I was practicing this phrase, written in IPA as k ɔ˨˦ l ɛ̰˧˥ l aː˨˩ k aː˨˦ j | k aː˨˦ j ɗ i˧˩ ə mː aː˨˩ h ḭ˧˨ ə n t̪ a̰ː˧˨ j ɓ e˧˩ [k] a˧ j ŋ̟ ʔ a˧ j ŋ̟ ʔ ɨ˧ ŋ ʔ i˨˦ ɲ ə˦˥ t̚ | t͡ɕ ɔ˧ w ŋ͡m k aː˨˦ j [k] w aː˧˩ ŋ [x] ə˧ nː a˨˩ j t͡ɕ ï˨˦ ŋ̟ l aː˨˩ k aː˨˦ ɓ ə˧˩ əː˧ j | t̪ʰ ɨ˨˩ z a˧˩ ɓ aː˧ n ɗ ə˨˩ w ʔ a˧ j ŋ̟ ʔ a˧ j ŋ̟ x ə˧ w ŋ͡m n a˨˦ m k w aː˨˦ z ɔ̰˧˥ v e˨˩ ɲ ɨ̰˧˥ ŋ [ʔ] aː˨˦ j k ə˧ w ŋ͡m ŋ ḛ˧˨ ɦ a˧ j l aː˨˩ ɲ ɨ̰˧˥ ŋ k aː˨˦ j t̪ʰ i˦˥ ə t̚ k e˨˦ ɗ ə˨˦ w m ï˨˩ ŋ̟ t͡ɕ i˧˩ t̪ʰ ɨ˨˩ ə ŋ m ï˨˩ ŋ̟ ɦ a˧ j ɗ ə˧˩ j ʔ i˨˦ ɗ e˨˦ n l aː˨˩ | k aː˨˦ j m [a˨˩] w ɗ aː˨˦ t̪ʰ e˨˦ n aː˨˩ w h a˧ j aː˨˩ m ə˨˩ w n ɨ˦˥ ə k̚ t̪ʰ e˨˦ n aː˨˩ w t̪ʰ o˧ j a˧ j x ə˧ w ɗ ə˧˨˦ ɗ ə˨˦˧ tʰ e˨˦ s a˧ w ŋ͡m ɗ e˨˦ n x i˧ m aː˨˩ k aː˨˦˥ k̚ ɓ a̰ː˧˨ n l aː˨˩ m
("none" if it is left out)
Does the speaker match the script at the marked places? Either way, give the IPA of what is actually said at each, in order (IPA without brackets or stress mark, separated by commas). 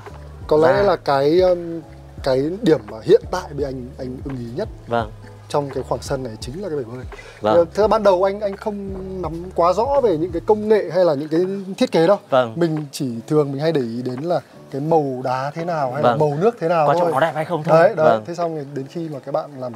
ʔ, x, s, k, ə˨˩